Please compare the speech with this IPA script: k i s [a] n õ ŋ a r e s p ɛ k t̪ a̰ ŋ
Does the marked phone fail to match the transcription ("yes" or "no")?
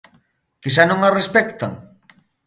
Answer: no